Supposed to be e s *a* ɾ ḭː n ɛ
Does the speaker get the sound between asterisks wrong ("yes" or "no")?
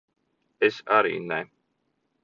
no